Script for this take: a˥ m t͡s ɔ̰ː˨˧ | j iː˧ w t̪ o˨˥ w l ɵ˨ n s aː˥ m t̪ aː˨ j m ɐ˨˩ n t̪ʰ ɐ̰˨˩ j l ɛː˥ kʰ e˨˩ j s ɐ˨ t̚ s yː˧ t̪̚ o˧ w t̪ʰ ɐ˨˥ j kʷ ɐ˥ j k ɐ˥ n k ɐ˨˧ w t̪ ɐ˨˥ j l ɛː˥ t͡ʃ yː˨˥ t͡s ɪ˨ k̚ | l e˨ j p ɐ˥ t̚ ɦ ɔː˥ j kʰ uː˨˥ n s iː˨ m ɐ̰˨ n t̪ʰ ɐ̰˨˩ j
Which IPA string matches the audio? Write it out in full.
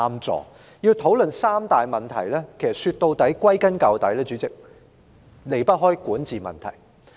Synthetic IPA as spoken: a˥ m t͡s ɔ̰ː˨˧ | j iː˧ w t̪ʰ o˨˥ w l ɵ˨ n s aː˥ m t̪ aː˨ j m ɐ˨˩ n t̪ʰ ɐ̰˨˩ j l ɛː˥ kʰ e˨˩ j s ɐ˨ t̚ s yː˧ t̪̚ o˧ w t̪ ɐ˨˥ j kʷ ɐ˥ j k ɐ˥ n k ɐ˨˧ w t̪ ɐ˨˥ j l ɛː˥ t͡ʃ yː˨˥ t͡s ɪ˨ k̚ | l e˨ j p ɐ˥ t̚ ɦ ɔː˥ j k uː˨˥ n t͡s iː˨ m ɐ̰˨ n t̪ʰ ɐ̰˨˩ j